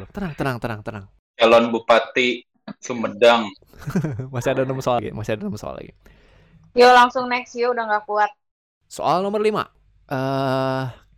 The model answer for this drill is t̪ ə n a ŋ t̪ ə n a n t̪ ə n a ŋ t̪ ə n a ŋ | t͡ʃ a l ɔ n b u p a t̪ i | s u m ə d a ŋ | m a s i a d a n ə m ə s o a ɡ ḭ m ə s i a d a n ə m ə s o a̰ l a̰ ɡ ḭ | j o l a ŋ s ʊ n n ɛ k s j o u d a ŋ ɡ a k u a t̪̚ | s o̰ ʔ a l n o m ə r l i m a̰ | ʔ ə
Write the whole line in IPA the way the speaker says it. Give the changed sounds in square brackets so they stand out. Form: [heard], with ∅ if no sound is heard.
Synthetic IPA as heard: t̪ ə n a ŋ t̪ ə n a [ŋ] t̪ ə n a ŋ t̪ ə n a ŋ | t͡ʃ a l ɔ n b u p a t̪ i | s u m ə d a ŋ | m a s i a d a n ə m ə s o a ɡ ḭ m [a] s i a d a n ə m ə s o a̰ l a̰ ɡ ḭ | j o l a ŋ s ʊ [ŋ] n ɛ k s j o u d a ŋ ɡ a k u a t̪̚ | s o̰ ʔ a l n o m ə r l i m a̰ | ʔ ə